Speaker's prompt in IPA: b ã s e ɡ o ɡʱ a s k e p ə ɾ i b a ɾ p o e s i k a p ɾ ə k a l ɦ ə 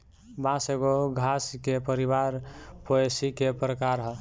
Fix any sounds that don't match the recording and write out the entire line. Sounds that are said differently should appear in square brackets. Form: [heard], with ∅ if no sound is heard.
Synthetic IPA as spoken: b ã s e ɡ o ɡʱ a s k e p ə ɾ i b a ɾ p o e s i k [e] p ɾ ə k a [ɾ] ɦ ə